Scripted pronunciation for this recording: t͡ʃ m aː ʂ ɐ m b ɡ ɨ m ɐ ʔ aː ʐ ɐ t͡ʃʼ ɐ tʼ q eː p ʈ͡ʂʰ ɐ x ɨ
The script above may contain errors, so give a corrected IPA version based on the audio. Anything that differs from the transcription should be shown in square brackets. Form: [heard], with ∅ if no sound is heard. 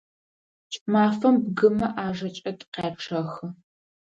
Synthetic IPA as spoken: [t͡ʃʼ] m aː [f] ɐ m b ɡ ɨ m ɐ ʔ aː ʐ ɐ t͡ʃʼ ɐ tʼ q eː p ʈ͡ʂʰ ɐ x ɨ